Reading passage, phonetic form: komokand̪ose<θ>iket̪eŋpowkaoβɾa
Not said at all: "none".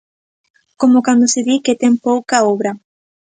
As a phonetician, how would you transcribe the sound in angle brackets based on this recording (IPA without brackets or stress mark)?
ð